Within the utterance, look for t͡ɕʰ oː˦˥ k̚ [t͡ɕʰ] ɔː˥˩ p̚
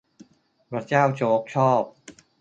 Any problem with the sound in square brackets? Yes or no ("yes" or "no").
no